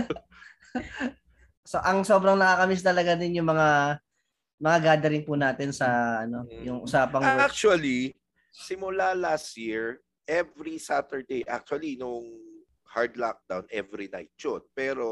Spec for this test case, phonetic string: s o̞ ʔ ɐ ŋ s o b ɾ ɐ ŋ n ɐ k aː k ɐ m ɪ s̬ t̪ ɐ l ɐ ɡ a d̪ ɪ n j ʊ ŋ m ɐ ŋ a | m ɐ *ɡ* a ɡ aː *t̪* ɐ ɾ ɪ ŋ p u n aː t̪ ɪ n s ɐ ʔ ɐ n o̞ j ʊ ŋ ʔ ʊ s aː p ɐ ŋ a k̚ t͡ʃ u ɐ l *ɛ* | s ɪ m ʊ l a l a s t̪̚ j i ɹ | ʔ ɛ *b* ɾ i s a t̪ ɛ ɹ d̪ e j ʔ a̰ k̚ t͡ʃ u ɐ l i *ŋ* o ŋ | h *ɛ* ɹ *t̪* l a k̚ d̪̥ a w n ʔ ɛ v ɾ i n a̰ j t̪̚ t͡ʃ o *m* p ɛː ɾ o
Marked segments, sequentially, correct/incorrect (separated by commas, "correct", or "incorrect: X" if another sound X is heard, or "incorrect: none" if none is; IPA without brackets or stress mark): incorrect: ŋ, incorrect: d̪, incorrect: i, incorrect: v, incorrect: n, incorrect: a, incorrect: d̪, incorrect: n